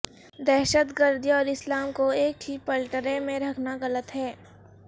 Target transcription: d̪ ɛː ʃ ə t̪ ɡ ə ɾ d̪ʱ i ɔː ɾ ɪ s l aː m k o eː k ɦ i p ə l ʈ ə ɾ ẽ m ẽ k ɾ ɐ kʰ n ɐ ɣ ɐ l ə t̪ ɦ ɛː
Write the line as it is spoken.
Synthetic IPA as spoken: d̪ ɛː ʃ ə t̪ ɡ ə ɾ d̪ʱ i ɔː ɾ ɪ s l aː m k o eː k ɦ i p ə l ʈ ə ɾ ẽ m ẽ ɾ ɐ kʰ n a ɣ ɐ l ə t̪ ɦ ɛː